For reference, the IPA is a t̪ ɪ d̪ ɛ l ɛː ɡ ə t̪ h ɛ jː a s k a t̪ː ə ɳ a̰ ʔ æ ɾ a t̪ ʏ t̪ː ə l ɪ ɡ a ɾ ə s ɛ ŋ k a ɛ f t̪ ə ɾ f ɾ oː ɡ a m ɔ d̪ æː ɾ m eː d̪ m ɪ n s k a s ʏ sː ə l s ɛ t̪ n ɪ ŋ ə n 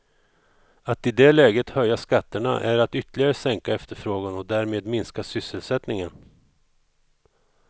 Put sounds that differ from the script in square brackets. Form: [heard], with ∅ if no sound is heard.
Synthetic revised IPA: a t̪ ɪ d̪ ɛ l ɛː ɡ ə t̪ h [œ] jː a s k a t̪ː ə ɳ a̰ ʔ æ ɾ a t̪ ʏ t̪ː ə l ɪ ɡ a ɾ ə s ɛ ŋ k a ɛ f t̪ ə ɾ f ɾ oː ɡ a [n] ɔ d̪ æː ɾ m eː d̪ m ɪ n s k a s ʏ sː ə l s ɛ t̪ n ɪ ŋ ə n